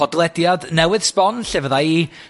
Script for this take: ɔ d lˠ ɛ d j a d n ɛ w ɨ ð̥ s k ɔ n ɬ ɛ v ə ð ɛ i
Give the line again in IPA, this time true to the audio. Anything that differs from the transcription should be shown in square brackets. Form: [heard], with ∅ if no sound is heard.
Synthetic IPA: ɔ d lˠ ɛ d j a d n ɛ w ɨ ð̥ s [p] ɔ n ɬ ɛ v ə ð [a] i